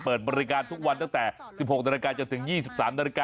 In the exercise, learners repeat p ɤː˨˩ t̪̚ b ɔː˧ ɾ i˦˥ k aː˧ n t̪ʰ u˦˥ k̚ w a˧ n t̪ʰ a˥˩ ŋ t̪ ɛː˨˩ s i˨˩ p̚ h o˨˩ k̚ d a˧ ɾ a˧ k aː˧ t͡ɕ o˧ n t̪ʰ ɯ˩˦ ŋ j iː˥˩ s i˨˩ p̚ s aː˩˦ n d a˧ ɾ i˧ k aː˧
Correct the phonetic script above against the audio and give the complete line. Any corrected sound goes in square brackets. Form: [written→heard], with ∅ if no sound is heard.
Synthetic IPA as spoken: p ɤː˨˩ t̪̚ b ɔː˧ ɾ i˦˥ k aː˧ n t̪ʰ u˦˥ k̚ w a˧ n [t̪ʰ→t̪] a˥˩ ŋ t̪ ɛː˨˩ s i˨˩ p̚ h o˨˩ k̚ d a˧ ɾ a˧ k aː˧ t͡ɕ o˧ n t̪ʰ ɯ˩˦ ŋ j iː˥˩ s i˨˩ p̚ s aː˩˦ [n→m] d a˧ ɾ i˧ k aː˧